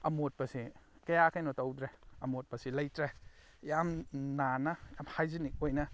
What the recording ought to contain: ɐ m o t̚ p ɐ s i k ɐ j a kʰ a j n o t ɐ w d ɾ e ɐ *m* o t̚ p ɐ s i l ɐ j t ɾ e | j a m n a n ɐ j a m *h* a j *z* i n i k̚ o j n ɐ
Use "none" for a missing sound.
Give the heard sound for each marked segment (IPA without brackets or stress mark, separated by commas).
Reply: m, h, z